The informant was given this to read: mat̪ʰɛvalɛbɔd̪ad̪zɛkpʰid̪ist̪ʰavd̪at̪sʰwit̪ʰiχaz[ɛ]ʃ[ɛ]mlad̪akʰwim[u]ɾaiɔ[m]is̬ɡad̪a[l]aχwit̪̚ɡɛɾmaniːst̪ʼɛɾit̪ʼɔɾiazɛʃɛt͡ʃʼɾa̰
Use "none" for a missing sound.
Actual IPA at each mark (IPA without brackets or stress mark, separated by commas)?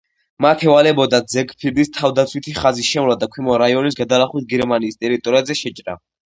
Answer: i, ɛ, ɔ, n, l